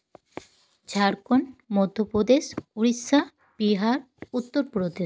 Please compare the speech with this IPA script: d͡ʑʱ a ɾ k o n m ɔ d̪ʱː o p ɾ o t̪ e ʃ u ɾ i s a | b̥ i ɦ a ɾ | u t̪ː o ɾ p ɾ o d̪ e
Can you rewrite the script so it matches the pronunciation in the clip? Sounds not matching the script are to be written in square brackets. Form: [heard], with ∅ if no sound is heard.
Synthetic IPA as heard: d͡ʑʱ a ɾ k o n m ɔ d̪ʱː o p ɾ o [d̪] e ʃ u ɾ i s a | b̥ i ɦ a ɾ | u t̪ː o ɾ p ɾ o d̪ e